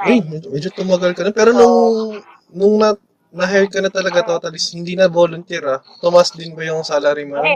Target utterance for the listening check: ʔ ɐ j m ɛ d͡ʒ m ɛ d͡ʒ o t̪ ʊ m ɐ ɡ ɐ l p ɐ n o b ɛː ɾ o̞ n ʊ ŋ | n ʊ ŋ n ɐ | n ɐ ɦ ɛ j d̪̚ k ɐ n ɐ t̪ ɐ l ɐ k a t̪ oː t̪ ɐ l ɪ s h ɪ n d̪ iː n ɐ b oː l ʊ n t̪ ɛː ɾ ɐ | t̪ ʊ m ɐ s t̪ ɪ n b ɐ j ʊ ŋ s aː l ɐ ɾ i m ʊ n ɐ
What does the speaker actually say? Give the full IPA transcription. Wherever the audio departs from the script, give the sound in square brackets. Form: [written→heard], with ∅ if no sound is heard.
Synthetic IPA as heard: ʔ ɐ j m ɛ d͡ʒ m ɛ d͡ʒ o t̪ ʊ m ɐ ɡ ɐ l [p→k] ɐ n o [b→p] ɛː ɾ o̞ n ʊ ŋ | n ʊ ŋ n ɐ | n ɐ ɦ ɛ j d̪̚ k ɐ n ɐ t̪ ɐ l ɐ [k→ɡ] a t̪ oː t̪ ɐ l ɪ s h ɪ n d̪ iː n ɐ b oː l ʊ n t̪ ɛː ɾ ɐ | t̪ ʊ m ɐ s [t̪→d̪] ɪ n b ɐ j ʊ ŋ s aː l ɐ ɾ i m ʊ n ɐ